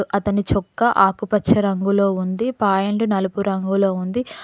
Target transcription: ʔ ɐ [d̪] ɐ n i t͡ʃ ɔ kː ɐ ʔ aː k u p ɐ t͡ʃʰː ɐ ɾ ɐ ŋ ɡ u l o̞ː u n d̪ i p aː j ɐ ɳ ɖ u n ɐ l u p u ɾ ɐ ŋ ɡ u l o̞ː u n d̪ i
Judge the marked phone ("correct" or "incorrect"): incorrect